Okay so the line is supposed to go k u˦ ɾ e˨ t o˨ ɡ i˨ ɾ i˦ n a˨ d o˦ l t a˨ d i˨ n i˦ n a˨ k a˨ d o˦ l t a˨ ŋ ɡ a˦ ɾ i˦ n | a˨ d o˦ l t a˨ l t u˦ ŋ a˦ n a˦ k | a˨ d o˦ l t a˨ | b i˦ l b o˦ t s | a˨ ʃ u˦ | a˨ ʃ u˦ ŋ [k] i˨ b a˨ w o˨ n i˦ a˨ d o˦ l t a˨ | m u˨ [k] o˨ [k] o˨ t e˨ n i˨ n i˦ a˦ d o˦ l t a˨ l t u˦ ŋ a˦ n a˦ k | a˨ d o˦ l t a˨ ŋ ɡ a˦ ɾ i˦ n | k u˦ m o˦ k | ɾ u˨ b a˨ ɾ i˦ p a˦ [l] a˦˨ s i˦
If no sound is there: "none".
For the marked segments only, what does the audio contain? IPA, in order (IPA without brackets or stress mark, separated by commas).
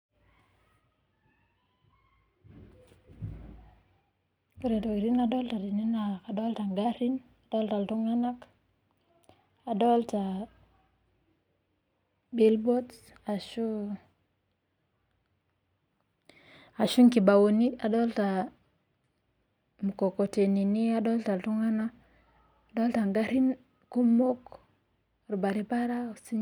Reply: k, k, k, ɾ